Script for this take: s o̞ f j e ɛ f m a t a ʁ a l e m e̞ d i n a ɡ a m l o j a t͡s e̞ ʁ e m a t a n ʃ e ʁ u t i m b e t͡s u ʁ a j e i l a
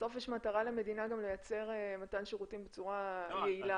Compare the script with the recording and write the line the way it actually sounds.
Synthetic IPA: s o̞ f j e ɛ ʃ m a t a ʁ a l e m e̞ d i n a ɡ a m l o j a t͡s e̞ ʁ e m a t a n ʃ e ʁ u t i m b e t͡s u ʁ a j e i l a